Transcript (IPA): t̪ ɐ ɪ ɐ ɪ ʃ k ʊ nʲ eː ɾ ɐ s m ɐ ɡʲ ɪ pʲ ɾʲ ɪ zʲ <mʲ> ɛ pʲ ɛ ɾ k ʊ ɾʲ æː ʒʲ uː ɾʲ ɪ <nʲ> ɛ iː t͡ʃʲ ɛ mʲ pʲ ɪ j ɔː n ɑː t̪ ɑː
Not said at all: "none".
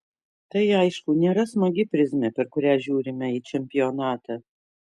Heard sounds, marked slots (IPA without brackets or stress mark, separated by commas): mʲ, mʲ